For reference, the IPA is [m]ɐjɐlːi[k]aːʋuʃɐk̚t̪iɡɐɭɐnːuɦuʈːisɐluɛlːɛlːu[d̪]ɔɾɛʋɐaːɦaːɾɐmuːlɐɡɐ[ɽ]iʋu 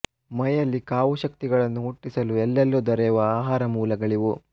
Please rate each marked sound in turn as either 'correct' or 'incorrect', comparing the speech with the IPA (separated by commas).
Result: correct, correct, correct, incorrect